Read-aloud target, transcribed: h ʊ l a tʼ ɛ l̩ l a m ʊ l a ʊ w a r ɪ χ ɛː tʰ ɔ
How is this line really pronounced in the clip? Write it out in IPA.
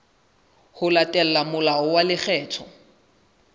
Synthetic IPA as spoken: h ʊ l a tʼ ɛ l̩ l a m ʊ l a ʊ w a l ɪ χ ɛː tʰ ɔ